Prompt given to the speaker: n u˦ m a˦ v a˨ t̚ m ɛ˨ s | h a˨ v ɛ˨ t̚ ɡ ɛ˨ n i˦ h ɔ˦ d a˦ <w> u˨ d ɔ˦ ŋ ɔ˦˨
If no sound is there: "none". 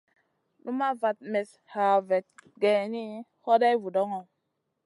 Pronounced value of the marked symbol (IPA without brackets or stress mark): v